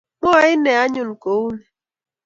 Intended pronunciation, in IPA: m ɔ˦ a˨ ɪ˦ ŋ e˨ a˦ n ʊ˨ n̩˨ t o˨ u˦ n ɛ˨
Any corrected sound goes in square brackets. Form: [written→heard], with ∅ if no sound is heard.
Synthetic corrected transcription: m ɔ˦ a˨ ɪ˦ [ŋ→n] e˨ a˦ [n→ɲ] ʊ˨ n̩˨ [t→k] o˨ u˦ n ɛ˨